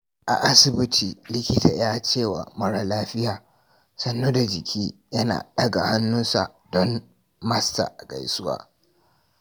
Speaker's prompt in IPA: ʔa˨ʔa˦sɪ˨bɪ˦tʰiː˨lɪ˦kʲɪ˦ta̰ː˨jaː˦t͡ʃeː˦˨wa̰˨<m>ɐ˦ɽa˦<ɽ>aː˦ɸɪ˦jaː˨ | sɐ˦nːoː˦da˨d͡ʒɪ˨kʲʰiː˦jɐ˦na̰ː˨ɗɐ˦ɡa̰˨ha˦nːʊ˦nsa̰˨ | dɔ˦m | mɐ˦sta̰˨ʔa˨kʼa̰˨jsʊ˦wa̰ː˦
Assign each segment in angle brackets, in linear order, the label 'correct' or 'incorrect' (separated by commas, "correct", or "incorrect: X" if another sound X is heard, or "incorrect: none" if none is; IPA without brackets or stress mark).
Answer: correct, incorrect: l